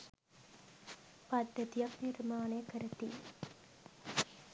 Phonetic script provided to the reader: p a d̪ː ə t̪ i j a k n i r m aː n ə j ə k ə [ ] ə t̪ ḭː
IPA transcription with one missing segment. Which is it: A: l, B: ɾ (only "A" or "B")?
B